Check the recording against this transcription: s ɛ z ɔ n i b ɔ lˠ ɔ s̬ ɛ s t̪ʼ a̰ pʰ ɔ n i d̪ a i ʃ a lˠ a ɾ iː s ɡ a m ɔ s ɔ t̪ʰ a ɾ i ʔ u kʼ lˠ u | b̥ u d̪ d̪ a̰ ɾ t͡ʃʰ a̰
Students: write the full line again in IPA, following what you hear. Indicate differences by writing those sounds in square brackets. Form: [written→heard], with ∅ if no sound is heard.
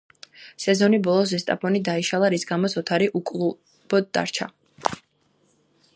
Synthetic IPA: s ɛ z ɔ n i b ɔ lˠ ɔ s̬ ɛ s t̪ʼ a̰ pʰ ɔ n i d̪ a i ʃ a lˠ a ɾ [iː→i] s ɡ a m ɔ s ɔ t̪ʰ a ɾ i ʔ u kʼ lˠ u | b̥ [u→ɔ] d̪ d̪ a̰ ɾ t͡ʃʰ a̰